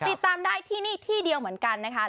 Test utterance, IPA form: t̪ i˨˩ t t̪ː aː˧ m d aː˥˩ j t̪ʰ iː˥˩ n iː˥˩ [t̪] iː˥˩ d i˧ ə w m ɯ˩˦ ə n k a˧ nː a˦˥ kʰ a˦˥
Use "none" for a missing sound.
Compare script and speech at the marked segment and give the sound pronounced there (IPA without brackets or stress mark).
t̪ʰ